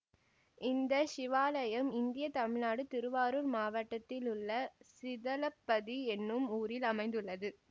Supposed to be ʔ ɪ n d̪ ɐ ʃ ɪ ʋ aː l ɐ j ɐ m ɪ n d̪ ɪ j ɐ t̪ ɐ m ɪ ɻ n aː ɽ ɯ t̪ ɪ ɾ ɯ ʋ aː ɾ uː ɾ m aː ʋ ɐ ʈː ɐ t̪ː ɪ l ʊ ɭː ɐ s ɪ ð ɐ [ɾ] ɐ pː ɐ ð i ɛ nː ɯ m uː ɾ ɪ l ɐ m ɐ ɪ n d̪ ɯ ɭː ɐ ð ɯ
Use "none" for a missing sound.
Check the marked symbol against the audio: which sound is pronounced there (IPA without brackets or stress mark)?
l